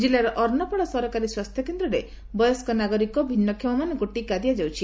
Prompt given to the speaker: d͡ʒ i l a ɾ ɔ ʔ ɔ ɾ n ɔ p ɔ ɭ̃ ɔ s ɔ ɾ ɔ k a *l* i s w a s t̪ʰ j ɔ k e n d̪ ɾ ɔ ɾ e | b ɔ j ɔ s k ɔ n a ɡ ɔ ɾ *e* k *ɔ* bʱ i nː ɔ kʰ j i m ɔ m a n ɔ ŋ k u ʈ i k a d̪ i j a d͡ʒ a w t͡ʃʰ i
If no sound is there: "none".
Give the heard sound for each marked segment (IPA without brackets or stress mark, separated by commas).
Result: ɾ, i, ɔ